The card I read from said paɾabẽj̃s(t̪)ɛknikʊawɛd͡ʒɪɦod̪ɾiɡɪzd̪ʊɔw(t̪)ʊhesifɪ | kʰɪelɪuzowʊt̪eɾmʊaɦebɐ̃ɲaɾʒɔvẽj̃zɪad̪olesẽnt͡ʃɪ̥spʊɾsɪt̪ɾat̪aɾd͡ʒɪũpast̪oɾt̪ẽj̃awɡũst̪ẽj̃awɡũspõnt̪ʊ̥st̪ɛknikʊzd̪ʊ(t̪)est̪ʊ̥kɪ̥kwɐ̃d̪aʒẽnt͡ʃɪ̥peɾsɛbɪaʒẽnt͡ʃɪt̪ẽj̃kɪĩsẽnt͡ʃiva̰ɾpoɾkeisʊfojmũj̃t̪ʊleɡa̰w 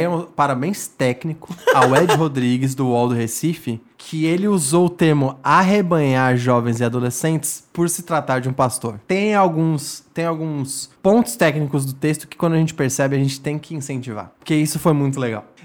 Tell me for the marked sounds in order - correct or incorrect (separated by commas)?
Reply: correct, incorrect, correct